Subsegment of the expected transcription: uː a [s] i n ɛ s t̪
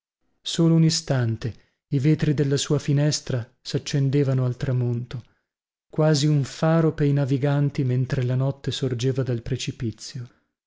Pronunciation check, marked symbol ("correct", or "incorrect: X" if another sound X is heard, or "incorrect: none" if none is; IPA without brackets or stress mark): incorrect: f